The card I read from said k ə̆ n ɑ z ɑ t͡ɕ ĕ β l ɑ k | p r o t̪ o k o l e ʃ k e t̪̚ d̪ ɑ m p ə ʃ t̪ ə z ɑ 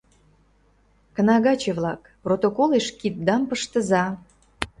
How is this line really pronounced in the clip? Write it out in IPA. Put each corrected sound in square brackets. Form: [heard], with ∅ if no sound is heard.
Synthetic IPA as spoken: k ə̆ n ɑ [ɣ] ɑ t͡ɕ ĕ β l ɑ k | p r o t̪ o k o l e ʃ k [i] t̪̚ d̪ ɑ m p ə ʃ t̪ ə z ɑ